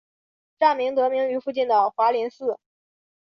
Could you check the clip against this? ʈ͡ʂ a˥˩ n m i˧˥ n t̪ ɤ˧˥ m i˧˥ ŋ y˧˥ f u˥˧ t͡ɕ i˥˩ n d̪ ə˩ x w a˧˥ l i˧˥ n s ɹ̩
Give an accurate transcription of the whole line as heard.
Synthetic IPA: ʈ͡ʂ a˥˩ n m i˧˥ ŋ t̪ ɤ˧˥ m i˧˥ ŋ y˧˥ f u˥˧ t͡ɕ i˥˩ n d̪ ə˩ x w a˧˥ l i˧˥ n s ɹ̩

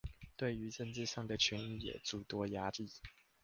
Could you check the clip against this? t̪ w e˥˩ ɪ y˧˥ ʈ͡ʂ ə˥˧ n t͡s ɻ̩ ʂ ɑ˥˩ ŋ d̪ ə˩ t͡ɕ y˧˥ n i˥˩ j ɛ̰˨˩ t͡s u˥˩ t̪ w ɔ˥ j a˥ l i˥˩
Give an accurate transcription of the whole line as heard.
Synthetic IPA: t̪ w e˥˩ ɪ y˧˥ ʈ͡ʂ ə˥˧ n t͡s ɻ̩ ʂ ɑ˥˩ ŋ d̪ ə˩ t͡ɕʰ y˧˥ n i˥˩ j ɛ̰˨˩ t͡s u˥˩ t̪ w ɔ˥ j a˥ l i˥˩

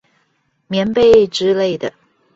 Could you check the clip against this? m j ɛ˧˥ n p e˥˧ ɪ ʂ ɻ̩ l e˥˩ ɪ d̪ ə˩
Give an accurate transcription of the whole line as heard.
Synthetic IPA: m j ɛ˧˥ n p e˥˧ ɪ ʈ͡ʂ ɻ̩ l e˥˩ ɪ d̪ ə˩

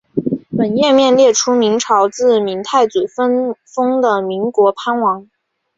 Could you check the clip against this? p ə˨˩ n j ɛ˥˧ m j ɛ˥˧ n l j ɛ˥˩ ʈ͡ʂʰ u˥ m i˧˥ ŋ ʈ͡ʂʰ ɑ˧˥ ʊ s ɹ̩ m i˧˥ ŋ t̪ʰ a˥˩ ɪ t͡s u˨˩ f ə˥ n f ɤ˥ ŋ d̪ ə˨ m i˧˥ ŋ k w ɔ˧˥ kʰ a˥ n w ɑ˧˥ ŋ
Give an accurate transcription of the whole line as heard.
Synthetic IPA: p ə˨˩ n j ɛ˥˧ m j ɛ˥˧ n l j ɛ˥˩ ʈ͡ʂʰ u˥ m i˧˥ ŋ ʈ͡ʂʰ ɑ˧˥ ʊ t͡s ɹ̩ m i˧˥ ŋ t̪ʰ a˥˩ ɪ t͡s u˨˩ f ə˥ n f ɤ˥ ŋ d̪ ə˨ m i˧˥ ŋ k w ɔ˧˥ pʰ a˥ n w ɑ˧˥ ŋ

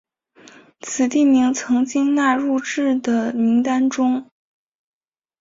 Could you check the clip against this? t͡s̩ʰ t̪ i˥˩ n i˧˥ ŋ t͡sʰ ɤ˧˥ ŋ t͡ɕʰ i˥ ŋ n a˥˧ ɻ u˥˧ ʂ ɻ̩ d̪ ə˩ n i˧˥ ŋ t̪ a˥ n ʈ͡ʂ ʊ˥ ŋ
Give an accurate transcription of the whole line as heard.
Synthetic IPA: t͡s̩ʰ t̪ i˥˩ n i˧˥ ŋ t͡sʰ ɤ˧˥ ŋ t͡ɕ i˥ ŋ n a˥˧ ɻ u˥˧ ʈ͡ʂ ɻ̩ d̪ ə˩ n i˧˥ ŋ t̪ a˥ n ʈ͡ʂ ʊ˥ ŋ

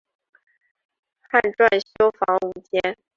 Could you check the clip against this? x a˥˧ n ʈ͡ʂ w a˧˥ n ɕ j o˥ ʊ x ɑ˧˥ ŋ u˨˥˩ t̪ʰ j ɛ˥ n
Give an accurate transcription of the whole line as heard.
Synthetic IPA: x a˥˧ n ʈ͡ʂ w a˥˩ n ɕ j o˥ ʊ f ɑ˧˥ ŋ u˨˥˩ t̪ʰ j ɛ˥ n

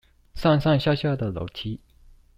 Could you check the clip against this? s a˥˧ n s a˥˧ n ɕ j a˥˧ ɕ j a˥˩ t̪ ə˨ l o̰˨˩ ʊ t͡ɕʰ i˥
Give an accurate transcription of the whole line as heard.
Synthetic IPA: s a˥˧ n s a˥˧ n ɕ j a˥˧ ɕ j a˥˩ d̪ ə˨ l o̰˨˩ ʊ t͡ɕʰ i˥

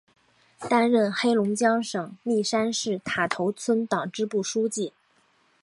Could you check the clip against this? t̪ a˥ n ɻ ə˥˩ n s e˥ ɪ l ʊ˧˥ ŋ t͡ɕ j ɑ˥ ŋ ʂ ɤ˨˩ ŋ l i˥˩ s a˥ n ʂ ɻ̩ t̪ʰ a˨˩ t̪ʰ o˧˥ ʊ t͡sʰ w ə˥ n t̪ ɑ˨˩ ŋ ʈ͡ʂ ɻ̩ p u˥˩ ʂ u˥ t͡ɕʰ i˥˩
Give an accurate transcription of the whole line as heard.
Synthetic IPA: t̪ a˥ n ɻ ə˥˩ n x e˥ ɪ l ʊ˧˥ ŋ t͡ɕ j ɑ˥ ŋ ʂ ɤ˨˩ ŋ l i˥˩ ʂ a˥ n ʂ ɻ̩ t̪ʰ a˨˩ t̪ʰ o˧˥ ʊ t͡sʰ w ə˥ n t̪ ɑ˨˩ ŋ ʈ͡ʂ ɻ̩ p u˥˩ ʂ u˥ t͡ɕ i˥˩

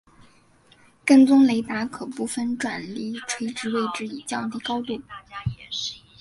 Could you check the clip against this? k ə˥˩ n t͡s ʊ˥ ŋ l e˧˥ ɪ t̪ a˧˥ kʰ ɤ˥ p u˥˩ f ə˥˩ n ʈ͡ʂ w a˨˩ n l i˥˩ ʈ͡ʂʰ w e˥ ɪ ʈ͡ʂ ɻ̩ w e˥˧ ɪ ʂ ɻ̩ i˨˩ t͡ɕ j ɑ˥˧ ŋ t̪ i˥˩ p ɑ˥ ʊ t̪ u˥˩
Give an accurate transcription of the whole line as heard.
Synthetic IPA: k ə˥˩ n t͡s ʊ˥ ŋ l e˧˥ ɪ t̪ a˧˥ kʰ ɤ˨˩ p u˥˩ f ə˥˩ n ʈ͡ʂ w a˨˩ n l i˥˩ ʈ͡ʂʰ w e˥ ɪ ʈ͡ʂ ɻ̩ w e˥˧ ɪ ʈ͡ʂ ɻ̩ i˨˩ t͡ɕ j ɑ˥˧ ŋ t̪ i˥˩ k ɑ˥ ʊ t̪ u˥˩

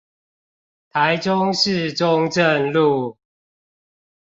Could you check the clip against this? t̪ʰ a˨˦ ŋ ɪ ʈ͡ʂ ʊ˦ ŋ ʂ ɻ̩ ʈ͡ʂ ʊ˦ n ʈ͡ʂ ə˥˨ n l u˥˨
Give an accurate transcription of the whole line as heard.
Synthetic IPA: t̪ʰ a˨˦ ɪ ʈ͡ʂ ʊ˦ ŋ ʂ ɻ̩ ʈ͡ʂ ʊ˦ ŋ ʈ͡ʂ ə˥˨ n l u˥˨

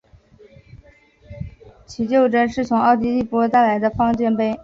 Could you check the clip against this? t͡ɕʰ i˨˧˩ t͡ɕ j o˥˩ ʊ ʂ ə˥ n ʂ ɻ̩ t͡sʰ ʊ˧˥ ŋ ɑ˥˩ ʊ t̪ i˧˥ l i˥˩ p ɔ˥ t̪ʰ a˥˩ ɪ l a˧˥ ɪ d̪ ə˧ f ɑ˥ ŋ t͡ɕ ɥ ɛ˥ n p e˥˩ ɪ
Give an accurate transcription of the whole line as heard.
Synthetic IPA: t͡ɕʰ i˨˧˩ t͡ɕ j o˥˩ ʊ ʈ͡ʂ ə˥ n ʂ ɻ̩ t͡sʰ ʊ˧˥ ŋ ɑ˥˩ ʊ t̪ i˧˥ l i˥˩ p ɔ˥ t̪ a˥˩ ɪ l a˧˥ ɪ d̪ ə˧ f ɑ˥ ŋ t͡ɕ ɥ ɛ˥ n p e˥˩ ɪ

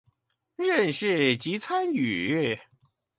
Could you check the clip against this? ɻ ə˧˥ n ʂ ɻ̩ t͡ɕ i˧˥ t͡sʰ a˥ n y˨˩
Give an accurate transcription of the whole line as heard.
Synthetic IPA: ɻ ə˥˧ n ʂ ɻ̩ t͡ɕ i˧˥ t͡sʰ a˥ n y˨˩

